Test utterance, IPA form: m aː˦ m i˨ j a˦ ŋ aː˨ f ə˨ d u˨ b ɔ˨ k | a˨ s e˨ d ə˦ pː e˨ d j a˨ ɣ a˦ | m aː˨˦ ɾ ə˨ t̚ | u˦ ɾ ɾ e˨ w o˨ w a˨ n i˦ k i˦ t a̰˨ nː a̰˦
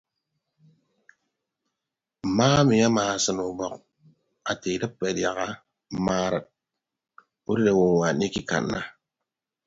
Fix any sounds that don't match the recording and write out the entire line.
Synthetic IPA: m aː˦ m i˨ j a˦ m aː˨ s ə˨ n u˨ b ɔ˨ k | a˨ t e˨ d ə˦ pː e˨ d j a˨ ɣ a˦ | m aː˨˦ ɾ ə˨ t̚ | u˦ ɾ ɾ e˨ w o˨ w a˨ n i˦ k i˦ k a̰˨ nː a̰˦